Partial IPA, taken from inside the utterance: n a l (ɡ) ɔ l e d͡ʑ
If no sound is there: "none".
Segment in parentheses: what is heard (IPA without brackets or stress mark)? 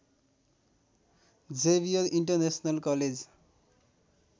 k